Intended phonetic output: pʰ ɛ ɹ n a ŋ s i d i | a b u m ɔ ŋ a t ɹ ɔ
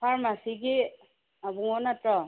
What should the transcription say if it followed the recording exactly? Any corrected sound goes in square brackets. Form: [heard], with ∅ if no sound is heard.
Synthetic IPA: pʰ [a] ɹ [m] a [∅] s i [ɡ] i | a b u [ŋ] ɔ [n] a t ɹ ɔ